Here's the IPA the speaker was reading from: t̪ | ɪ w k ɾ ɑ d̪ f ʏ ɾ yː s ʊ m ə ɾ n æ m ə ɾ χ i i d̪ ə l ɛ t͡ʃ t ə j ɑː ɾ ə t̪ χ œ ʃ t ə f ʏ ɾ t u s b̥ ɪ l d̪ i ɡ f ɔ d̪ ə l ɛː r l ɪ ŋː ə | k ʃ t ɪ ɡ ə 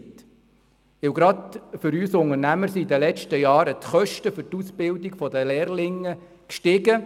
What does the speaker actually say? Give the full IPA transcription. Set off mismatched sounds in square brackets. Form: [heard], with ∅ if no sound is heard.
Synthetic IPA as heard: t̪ | ɪ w [ɡ] ɾ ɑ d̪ f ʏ ɾ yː s ʊ [ŋ] ə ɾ n æ m ə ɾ [s] i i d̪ ə l ɛ t͡ʃ t ə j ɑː ɾ ə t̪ χ œ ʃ t ə f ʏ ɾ t u s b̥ ɪ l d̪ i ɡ f ɔ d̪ ə l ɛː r l ɪ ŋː ə | k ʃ t ɪ ɡ ə